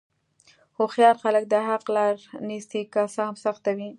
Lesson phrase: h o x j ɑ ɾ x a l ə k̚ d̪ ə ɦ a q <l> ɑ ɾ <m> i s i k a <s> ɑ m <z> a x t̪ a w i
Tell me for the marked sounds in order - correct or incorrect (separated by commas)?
correct, incorrect, correct, incorrect